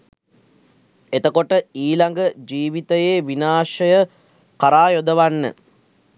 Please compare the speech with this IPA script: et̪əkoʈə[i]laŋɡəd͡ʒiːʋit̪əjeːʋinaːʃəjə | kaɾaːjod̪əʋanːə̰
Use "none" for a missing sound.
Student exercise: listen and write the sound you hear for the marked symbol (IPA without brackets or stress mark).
iː